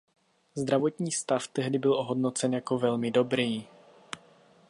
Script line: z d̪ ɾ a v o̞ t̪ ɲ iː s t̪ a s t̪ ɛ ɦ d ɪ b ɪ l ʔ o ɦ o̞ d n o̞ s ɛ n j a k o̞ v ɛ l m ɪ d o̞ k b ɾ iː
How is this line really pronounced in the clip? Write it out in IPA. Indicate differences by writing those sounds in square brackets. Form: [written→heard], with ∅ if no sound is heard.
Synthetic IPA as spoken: z d̪ ɾ a v o̞ t̪ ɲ iː s t̪ a [s→f] t̪ ɛ ɦ d ɪ b ɪ l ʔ o ɦ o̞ d n o̞ [s→t͡s] ɛ n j a k o̞ v ɛ l m ɪ d o̞ [k→∅] b ɾ iː